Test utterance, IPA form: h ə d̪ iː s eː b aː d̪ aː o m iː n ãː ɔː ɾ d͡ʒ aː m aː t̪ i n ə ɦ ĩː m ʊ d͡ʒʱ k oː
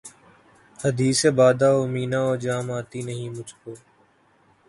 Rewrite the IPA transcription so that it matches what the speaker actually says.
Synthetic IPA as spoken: h ə d̪ iː s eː b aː d̪ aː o m iː n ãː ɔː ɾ d͡ʒ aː m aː t̪ i n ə ɦ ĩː m ʊ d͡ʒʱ k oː